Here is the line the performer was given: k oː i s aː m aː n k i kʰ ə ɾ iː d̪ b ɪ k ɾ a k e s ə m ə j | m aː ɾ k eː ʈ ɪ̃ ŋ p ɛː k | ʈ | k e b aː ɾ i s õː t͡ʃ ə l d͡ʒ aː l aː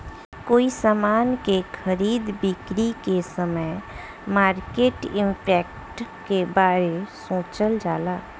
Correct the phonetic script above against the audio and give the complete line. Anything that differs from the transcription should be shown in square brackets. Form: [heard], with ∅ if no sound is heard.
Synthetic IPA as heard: k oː i s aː m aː n k [e] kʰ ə ɾ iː d̪ b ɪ k ɾ [i] k e s ə m ə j | m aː ɾ k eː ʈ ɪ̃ [m] p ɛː k | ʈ | k e b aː ɾ [e] s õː t͡ʃ ə l d͡ʒ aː l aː